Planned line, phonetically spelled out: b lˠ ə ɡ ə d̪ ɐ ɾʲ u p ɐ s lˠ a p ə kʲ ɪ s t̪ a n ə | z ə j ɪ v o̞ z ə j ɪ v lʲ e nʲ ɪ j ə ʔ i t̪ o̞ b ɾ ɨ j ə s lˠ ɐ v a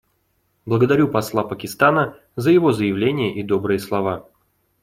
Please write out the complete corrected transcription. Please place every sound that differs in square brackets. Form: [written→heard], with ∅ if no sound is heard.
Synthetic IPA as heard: b lˠ ə ɡ ə d̪ ɐ ɾʲ u p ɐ s lˠ a p ə kʲ ɪ s t̪ a n ə | z ə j ɪ v o̞ z ə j ɪ v lʲ e nʲ ɪ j ə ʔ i [t̪→d̪] o̞ b ɾ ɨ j ə s lˠ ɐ v a